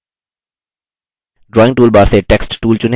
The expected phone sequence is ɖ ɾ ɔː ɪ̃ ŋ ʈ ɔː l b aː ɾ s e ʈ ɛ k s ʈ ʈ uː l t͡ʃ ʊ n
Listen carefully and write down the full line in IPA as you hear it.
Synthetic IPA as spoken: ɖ ɾ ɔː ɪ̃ ŋ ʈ uː l b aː ɾ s e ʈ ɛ k s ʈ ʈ uː l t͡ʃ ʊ n